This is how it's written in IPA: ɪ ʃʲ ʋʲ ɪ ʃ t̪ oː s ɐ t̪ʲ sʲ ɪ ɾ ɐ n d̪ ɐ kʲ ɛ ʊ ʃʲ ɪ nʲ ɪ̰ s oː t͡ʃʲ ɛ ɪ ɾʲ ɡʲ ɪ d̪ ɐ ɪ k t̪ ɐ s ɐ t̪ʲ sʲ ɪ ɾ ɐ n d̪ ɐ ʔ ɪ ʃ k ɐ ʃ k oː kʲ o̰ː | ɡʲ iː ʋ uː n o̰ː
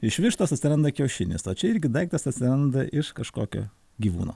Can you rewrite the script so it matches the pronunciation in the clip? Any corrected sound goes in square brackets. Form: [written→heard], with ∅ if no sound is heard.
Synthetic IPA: ɪ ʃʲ ʋʲ ɪ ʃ t̪ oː s ɐ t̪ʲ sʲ ɪ ɾ ɐ n d̪ ɐ kʲ ɛ ʊ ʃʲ ɪ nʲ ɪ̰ s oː t͡ʃʲ ɛ ɪ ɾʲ ɡʲ ɪ d̪ ɐ ɪ k t̪ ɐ s ɐ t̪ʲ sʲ ɪ ɾ ɐ n d̪ ɐ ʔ ɪ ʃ k ɐ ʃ k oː kʲ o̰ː | ɡʲ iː ʋ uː n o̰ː